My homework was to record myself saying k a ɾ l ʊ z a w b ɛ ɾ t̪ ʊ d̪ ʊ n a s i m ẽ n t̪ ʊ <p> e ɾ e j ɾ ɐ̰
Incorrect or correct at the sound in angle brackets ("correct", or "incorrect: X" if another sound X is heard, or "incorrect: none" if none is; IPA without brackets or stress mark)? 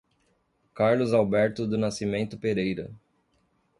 correct